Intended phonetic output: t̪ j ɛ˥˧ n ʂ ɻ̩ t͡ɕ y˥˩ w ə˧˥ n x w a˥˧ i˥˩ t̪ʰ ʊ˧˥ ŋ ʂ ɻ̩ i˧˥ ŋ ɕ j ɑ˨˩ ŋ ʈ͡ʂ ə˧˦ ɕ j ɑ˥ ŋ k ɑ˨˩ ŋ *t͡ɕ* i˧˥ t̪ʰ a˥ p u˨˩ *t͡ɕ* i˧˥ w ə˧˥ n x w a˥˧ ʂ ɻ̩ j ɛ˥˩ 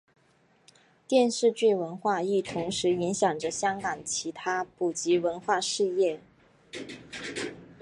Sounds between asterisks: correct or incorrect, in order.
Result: incorrect: t͡ɕʰ, correct

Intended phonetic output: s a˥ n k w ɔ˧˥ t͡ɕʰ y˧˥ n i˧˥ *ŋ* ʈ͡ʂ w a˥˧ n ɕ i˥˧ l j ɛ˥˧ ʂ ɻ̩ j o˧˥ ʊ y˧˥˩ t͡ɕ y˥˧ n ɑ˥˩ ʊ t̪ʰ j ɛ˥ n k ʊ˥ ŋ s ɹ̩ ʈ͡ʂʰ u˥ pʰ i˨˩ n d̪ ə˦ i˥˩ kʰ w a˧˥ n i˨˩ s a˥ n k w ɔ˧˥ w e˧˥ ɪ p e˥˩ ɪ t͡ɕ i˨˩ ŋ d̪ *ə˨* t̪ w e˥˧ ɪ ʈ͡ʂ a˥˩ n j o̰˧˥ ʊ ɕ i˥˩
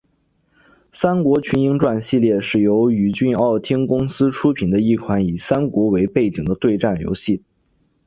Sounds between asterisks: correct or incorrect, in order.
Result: correct, incorrect: ə˦

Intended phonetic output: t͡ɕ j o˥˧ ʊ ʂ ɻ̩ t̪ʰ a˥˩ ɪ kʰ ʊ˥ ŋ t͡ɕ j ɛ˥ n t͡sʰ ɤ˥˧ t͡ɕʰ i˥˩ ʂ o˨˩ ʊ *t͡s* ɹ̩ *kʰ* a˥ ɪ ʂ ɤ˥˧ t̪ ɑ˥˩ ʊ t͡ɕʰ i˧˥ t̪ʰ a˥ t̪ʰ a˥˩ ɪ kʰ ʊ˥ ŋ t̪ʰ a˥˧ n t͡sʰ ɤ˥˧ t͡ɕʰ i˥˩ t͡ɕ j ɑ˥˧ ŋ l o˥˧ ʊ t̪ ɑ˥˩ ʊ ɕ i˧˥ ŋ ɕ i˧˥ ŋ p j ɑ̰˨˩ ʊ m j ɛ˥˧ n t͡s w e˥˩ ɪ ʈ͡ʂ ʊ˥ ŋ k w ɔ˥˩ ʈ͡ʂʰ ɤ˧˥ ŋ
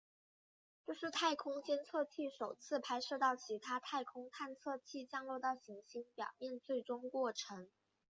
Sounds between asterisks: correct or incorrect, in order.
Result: incorrect: t͡sʰ, incorrect: pʰ

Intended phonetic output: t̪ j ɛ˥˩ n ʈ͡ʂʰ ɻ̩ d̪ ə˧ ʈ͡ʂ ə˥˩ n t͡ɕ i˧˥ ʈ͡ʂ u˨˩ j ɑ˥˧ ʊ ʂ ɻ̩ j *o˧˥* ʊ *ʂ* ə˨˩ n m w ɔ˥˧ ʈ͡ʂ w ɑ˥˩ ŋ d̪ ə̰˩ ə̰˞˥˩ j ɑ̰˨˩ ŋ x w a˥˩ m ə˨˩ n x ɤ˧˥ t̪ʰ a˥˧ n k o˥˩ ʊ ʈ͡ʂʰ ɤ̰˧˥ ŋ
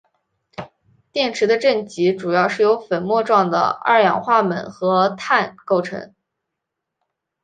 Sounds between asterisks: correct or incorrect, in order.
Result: correct, incorrect: f

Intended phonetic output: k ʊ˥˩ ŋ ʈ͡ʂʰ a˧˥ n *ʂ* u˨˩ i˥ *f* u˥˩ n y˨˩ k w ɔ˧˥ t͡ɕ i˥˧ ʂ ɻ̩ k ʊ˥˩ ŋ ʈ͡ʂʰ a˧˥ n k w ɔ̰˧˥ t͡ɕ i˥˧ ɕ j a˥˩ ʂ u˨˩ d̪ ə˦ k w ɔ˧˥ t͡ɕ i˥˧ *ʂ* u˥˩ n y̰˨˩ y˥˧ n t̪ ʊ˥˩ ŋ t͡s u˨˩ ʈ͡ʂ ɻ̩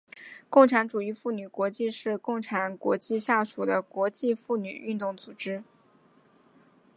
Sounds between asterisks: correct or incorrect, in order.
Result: incorrect: ʈ͡ʂ, correct, incorrect: f

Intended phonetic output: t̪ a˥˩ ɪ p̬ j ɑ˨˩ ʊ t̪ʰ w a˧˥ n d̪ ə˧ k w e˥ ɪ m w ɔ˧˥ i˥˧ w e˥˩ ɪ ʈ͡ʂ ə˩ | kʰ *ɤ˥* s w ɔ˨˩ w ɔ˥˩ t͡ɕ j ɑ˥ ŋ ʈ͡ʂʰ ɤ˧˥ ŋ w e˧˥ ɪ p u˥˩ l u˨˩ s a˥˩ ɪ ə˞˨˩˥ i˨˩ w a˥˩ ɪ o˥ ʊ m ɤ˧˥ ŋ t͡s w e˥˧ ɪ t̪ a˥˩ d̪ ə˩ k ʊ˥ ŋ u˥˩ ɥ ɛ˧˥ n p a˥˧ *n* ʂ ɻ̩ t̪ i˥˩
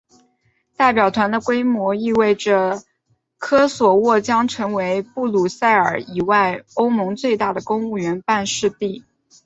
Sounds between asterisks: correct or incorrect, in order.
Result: correct, correct

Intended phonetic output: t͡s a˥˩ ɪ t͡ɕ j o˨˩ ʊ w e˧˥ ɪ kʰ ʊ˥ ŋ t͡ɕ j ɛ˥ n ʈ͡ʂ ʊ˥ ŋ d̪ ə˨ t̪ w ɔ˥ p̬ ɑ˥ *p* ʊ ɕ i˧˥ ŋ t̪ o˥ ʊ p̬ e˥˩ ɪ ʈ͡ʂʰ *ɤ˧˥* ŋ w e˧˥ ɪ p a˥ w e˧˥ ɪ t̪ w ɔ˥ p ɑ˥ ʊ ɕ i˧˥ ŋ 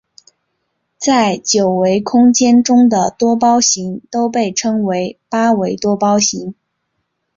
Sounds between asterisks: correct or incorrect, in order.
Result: incorrect: none, incorrect: ɤ˥

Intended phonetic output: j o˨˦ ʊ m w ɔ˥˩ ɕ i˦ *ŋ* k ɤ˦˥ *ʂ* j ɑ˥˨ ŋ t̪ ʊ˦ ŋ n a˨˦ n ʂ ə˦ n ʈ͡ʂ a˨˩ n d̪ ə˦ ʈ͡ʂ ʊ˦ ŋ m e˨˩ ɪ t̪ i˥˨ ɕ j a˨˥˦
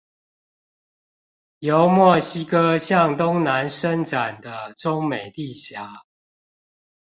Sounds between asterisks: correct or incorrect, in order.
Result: incorrect: none, incorrect: ɕ

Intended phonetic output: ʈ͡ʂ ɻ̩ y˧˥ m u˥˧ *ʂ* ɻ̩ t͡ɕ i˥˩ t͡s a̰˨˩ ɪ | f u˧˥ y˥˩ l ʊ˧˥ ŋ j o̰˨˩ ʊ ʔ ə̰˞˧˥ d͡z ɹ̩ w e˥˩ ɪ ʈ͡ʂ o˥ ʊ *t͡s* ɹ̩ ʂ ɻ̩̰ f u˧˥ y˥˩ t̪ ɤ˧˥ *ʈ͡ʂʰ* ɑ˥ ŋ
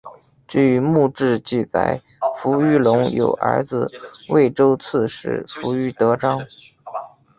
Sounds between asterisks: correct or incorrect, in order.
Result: incorrect: ʈ͡ʂ, incorrect: t͡sʰ, incorrect: ʈ͡ʂ

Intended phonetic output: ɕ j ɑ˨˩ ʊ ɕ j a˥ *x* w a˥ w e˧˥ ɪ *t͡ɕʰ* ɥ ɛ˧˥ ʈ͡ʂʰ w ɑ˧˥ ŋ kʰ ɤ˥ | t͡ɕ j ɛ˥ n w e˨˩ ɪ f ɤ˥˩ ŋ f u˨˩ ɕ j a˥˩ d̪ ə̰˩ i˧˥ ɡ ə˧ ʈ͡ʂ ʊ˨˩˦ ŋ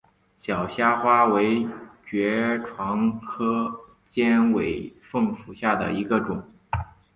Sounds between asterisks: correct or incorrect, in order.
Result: correct, incorrect: t͡ɕ

